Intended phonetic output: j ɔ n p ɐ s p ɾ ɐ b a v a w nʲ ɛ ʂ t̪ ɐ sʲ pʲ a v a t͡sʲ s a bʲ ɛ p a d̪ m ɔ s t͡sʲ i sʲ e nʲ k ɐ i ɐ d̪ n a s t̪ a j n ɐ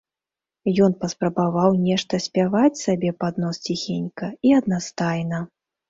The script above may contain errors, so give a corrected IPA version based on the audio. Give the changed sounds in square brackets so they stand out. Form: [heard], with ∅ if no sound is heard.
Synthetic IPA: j ɔ n p ɐ s p ɾ ɐ b a v a w nʲ ɛ ʂ t̪ ɐ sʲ pʲ a v a t͡sʲ s a bʲ ɛ p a d̪ [n] ɔ s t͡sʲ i [xʲ] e nʲ k ɐ i ɐ d̪ n a s t̪ a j n ɐ